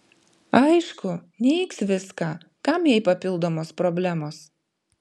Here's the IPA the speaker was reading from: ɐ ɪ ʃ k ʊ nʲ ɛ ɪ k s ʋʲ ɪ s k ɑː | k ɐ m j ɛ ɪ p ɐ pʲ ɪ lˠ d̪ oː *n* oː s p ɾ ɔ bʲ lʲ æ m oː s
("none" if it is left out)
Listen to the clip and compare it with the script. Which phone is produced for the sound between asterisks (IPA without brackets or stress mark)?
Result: m